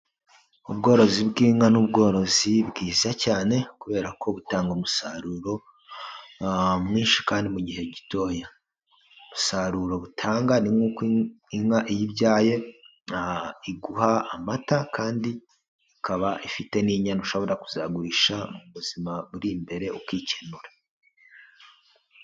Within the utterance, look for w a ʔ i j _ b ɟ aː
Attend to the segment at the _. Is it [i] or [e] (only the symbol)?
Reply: i